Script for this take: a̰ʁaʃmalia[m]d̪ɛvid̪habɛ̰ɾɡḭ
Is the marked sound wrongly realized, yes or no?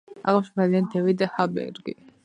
yes